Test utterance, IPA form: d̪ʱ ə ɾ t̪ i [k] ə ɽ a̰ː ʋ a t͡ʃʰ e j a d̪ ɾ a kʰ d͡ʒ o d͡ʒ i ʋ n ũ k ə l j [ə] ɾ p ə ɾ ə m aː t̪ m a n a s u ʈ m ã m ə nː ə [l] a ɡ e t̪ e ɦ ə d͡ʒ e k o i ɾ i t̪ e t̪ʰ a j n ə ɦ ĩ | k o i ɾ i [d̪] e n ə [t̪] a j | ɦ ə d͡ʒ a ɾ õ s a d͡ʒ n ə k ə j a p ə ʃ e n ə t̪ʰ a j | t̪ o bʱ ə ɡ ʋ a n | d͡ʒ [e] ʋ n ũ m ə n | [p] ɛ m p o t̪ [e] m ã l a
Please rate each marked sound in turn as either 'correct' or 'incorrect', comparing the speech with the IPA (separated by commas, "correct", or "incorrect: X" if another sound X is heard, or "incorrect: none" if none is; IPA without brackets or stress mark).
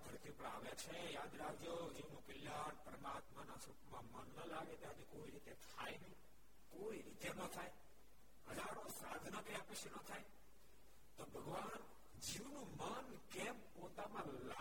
incorrect: p, incorrect: a, correct, incorrect: t̪, incorrect: t̪ʰ, incorrect: i, incorrect: k, incorrect: a